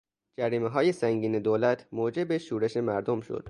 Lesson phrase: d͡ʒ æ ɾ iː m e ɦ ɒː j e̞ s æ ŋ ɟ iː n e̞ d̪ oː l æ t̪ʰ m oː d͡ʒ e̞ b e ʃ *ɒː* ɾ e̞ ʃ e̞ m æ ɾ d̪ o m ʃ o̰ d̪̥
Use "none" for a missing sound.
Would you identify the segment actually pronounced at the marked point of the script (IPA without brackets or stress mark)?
uː